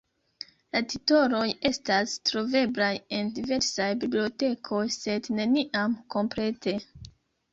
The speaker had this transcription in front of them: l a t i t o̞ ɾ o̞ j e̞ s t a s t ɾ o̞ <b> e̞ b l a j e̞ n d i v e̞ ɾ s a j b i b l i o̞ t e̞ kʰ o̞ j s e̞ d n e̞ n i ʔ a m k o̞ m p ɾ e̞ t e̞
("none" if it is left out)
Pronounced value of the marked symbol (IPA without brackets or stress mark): v